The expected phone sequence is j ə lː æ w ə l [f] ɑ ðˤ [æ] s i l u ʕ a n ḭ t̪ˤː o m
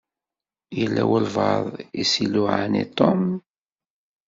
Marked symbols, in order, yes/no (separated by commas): no, no